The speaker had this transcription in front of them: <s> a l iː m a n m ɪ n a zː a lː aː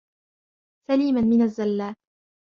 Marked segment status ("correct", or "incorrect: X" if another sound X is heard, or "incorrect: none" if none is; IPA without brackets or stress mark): correct